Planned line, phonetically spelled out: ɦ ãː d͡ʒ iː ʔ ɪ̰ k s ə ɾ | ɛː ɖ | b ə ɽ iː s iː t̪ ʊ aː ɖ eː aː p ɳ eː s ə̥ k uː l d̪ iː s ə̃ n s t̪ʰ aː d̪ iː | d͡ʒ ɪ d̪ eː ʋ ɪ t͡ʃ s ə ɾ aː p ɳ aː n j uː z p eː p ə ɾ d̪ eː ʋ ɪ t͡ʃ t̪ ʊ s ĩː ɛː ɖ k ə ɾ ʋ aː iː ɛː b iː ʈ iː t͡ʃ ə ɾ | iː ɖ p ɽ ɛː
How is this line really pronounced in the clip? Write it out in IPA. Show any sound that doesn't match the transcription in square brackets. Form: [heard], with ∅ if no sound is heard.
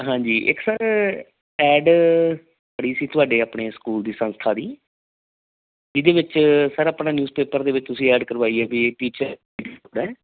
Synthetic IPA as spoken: ɦ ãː d͡ʒ iː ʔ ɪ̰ k s ə ɾ | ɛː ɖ | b ə ɽ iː s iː t̪ ʊ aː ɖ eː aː p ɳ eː s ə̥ k uː l d̪ iː s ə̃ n s t̪ʰ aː d̪ iː | d͡ʒ ɪ d̪ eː ʋ ɪ t͡ʃ s ə ɾ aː p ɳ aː n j uː z p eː p ə ɾ d̪ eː ʋ ɪ t͡ʃ t̪ ʊ s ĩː ɛː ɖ k ə ɾ ʋ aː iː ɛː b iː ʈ iː t͡ʃ ə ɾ | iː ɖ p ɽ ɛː